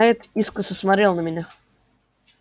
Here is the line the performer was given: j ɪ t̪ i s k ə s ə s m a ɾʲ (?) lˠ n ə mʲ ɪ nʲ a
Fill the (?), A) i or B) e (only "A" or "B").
B